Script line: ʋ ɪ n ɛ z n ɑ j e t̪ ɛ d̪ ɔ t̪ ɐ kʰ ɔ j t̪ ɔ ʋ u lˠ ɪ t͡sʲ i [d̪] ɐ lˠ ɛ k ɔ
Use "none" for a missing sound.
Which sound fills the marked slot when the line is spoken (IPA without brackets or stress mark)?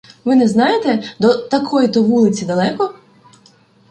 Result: d̪